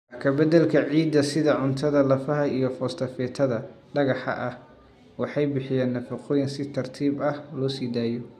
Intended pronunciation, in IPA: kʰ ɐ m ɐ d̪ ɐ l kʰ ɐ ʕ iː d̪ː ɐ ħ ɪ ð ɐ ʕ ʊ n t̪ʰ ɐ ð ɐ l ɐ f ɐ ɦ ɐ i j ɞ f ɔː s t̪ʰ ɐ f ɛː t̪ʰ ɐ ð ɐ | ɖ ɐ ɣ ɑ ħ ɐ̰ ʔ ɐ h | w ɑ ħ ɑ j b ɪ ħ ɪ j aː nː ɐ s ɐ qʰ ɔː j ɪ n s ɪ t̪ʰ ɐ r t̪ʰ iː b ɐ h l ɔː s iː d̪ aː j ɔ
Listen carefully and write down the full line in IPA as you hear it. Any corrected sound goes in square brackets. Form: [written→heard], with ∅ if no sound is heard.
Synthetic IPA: kʰ ɐ [m→b] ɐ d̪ ɐ l kʰ ɐ ʕ iː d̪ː ɐ [ħ→s] ɪ ð ɐ ʕ ʊ n t̪ʰ ɐ ð ɐ l ɐ f ɐ ɦ ɐ i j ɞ f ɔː s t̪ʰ ɐ f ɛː t̪ʰ ɐ ð ɐ | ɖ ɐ ɣ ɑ ħ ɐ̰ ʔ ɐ h | w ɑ ħ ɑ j b ɪ ħ ɪ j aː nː ɐ [s→f] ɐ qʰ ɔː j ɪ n s ɪ t̪ʰ ɐ r t̪ʰ iː b ɐ h l ɔː s iː d̪ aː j ɔ